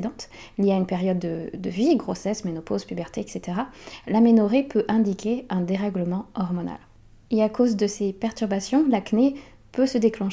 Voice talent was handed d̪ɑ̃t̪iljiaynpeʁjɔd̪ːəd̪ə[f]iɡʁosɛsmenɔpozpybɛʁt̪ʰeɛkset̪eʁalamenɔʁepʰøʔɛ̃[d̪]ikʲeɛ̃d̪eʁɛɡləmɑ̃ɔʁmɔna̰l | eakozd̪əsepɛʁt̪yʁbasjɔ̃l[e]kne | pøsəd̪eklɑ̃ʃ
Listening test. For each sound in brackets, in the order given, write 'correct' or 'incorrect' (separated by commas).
incorrect, correct, incorrect